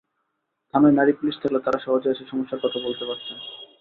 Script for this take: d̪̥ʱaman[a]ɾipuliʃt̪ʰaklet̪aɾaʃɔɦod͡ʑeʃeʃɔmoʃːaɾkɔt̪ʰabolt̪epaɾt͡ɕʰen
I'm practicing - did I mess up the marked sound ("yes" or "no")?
no